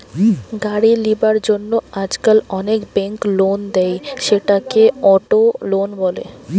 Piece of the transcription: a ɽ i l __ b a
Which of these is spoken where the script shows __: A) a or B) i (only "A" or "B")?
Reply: B